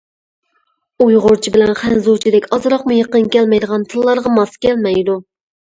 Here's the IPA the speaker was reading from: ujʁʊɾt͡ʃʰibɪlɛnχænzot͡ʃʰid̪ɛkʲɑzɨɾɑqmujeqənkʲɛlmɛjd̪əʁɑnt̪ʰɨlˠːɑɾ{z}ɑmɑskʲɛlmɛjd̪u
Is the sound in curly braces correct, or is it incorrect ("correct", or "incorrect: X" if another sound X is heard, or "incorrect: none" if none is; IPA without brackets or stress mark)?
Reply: incorrect: ʁ